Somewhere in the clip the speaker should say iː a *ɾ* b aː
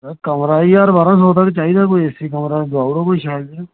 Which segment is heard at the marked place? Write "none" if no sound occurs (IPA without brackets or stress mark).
ɾ